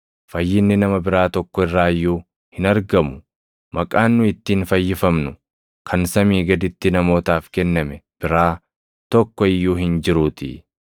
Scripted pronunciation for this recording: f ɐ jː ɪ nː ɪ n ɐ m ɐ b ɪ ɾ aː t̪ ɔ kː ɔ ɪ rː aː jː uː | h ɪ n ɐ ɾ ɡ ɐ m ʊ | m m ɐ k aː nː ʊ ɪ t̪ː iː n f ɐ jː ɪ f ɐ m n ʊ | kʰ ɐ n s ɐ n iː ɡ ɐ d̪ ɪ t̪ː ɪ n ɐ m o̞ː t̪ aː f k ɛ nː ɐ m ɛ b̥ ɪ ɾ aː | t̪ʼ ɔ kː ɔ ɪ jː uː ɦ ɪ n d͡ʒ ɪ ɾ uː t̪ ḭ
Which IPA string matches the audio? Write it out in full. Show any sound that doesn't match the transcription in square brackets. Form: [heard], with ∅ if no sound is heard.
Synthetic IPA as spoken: f ɐ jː ɪ nː ɪ n ɐ m ɐ b ɪ ɾ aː t̪ ɔ kː ɔ ɪ rː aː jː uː | h ɪ n ɐ ɾ ɡ ɐ m ʊ | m m ɐ [kʼ] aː nː ʊ ɪ t̪ː iː n f ɐ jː ɪ f ɐ m n ʊ | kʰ ɐ n s ɐ [m] iː ɡ ɐ d̪ ɪ t̪ː ɪ n ɐ m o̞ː t̪ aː f k ɛ nː ɐ m ɛ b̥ ɪ ɾ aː | [t̪] ɔ kː ɔ ɪ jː uː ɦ ɪ n d͡ʒ ɪ ɾ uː t̪ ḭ